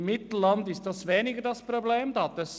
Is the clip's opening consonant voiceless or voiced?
voiced